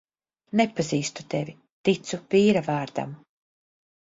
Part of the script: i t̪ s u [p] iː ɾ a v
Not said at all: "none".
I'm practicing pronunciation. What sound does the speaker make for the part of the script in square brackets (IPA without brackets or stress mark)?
p